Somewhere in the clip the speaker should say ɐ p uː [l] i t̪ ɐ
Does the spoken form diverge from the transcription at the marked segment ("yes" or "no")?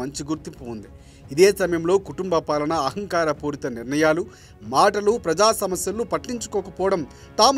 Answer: yes